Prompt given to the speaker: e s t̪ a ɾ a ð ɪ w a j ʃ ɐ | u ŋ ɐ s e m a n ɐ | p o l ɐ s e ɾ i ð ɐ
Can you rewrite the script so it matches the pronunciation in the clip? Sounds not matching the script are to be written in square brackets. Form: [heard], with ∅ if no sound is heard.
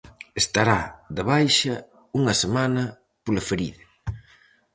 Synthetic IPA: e s t̪ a ɾ a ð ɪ [β] a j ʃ ɐ | u ŋ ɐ s e m a n ɐ | p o l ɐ [f] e ɾ i ð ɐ